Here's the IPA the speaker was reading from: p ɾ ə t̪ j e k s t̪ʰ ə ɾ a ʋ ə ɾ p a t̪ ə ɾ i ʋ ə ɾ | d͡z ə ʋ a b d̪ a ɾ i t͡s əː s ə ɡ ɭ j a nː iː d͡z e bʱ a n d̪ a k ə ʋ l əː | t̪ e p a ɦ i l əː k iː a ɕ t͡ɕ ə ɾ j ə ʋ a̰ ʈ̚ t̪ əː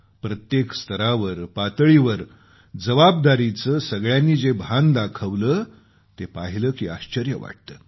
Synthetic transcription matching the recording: p ɾ ə t̪ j e k s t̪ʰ ə ɾ a ʋ ə ɾ p a t̪ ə ɭ i ʋ ə ɾ | d͡z ə ʋ a b d̪ a ɾ i t͡s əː s ə ɡ ɭ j a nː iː d͡z e bʱ a n d̪ a kʰ ə ʋ l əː | t̪ e p a ɦ i l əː k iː a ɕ t͡ɕ ə ɾ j ə ʋ a̰ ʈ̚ t̪ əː